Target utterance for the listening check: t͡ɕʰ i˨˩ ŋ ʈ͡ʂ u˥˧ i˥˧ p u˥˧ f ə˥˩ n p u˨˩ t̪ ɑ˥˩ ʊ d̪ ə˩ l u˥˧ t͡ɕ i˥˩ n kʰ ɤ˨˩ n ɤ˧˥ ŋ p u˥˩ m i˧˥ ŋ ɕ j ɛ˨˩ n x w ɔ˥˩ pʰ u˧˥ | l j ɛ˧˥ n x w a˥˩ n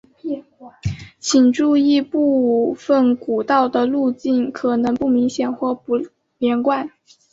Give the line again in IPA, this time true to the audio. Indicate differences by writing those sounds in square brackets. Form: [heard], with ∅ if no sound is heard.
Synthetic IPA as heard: t͡ɕʰ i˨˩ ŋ ʈ͡ʂ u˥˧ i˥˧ p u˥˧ f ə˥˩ n [k] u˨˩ t̪ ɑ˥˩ ʊ d̪ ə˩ l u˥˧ t͡ɕ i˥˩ n kʰ ɤ˨˩ n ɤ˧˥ ŋ p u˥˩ m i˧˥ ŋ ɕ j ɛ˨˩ n x w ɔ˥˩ [p] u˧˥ | l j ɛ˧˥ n [k] w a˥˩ n